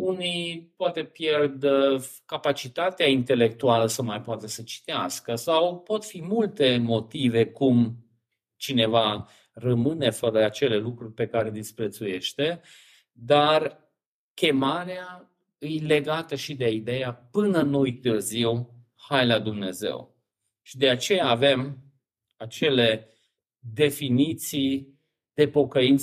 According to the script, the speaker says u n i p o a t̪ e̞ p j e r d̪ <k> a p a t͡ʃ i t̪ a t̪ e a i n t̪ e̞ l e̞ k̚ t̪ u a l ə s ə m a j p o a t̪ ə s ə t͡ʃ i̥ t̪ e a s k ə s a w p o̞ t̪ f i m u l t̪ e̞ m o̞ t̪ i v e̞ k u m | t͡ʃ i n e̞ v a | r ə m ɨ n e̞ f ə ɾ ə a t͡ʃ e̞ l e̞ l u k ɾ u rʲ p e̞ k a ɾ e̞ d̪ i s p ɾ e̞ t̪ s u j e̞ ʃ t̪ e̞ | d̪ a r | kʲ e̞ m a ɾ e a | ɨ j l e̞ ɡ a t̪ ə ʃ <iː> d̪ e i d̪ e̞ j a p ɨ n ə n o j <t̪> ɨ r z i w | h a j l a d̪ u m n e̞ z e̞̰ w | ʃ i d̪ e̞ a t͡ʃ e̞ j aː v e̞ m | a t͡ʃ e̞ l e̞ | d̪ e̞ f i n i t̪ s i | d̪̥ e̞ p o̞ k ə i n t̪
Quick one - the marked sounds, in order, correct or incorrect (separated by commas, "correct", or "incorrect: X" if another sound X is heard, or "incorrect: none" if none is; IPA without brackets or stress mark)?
correct, incorrect: i, correct